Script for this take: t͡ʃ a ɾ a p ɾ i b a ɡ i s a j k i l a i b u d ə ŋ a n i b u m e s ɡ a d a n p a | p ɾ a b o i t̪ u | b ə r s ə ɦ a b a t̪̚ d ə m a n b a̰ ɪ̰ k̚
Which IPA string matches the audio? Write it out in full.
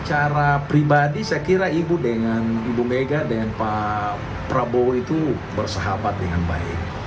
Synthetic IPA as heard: t͡ʃ a ɾ a p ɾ i b a d i s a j k i ɾ a i b u d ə ŋ a n i b u m e ɡ a d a n p a | p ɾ a b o i t̪ u | b ə r s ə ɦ a b a t̪̚ d ə ŋ a n b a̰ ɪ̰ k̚